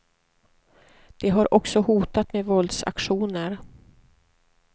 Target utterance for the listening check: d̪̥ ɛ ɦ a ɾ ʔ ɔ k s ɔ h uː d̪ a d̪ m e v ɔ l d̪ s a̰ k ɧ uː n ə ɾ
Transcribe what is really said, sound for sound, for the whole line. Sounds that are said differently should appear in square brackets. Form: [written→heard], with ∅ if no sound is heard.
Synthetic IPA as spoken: d̪̥ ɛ ɦ a ɾ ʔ ɔ k s ɔ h uː [d̪→t̪] a [d̪→t̪] m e v ɔ l d̪ s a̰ k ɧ uː n ə ɾ